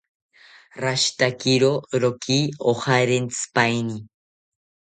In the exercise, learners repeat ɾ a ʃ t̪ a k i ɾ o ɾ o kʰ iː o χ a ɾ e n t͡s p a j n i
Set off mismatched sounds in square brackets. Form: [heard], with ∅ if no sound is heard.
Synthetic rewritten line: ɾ a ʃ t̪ a k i ɾ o ɾ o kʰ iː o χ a ɾ e n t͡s p a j n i